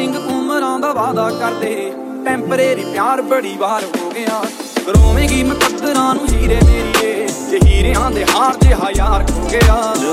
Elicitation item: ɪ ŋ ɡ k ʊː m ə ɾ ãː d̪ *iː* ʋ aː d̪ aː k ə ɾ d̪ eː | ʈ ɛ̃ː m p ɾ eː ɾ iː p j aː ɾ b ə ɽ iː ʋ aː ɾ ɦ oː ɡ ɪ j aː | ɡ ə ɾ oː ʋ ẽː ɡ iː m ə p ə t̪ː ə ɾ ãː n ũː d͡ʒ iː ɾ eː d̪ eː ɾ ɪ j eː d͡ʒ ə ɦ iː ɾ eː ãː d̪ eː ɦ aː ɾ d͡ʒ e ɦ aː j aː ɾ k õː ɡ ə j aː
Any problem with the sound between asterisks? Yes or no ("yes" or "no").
yes